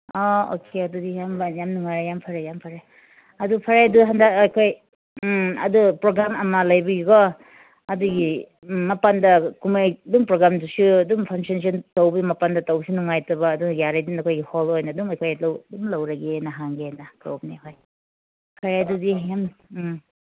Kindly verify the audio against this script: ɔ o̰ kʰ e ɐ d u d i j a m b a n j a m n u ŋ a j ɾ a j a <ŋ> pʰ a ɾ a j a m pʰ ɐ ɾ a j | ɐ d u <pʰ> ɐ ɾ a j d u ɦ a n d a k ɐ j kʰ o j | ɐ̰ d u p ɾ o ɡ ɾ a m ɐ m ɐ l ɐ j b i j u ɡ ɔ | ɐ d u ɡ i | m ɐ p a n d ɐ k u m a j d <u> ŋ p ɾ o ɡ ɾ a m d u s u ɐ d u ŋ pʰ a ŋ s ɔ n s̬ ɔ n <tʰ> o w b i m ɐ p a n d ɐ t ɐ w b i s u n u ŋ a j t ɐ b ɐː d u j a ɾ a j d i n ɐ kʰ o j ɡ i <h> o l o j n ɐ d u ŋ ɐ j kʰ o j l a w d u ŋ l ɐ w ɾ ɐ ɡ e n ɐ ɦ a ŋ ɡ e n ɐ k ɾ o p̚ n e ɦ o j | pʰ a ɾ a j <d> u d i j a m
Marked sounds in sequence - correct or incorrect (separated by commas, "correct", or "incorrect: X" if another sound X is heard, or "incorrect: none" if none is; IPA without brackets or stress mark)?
incorrect: m, correct, correct, incorrect: t, correct, correct